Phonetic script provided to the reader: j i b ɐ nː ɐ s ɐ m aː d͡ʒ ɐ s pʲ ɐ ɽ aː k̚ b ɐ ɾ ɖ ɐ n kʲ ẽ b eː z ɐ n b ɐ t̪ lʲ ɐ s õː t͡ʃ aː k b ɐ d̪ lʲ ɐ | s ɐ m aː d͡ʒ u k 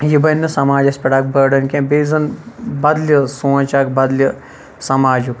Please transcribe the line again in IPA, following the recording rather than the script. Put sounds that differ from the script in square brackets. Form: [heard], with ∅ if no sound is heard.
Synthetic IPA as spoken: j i b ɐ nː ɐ s ɐ m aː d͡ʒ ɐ s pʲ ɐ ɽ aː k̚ b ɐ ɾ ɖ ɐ n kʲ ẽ b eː z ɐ n b ɐ [d̪] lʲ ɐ s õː t͡ʃ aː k b ɐ d̪ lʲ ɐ | s ɐ m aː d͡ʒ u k